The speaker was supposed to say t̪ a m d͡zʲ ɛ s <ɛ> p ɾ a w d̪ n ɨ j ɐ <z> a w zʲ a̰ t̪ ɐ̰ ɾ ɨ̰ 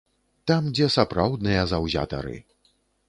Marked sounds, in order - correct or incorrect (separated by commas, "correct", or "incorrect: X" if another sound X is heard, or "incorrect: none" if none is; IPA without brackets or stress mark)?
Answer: incorrect: a, correct